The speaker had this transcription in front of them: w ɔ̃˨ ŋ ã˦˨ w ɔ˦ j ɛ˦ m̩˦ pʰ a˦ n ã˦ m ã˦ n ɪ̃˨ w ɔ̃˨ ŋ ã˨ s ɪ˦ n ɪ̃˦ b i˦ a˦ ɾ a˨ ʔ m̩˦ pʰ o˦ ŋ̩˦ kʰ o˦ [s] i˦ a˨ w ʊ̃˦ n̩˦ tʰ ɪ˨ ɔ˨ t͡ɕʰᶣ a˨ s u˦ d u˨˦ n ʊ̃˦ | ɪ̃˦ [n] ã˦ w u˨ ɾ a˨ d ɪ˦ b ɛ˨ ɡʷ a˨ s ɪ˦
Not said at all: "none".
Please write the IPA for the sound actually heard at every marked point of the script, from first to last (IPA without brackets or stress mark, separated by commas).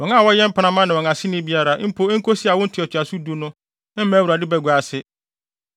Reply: s, m